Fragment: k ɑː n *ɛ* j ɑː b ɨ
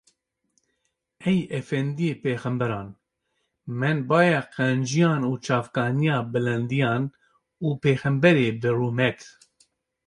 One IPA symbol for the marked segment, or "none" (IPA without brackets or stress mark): i